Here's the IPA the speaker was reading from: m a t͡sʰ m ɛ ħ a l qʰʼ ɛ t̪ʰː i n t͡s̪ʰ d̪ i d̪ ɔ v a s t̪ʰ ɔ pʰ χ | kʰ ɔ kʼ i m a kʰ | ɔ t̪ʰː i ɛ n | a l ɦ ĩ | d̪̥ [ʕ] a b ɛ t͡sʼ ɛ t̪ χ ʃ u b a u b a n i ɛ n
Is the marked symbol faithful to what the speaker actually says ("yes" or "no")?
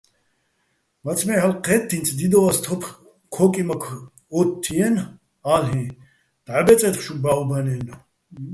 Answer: yes